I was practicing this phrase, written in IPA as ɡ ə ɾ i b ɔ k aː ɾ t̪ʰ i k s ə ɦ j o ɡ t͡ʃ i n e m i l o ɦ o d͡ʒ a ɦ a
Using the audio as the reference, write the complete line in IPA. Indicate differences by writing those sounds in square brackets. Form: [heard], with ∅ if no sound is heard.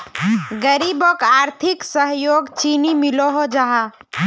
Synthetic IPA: ɡ ə ɾ i b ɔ k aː ɾ t̪ʰ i k s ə ɦ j o ɡ t͡ʃ i n [i] m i l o ɦ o d͡ʒ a ɦ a

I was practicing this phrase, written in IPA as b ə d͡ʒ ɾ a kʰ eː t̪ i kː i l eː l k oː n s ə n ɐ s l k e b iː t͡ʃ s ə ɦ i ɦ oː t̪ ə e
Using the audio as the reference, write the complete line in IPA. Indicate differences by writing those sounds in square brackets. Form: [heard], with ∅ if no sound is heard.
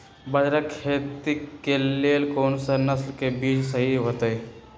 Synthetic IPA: b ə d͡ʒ ɾ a kʰ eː t̪ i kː [e] l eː l k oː n s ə n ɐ s l k e b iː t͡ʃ s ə ɦ i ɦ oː t̪ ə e

